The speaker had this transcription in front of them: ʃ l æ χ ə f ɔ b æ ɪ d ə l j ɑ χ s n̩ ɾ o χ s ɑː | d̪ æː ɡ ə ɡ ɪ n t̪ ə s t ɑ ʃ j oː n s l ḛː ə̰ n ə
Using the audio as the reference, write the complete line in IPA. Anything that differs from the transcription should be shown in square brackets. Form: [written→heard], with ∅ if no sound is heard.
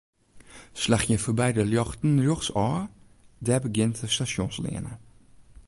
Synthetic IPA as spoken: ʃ l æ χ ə f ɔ b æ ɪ d ə l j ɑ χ [s→t] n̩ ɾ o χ s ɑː | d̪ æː [ɡ→b] ə ɡ ɪ n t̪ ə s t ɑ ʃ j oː n s l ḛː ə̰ n ə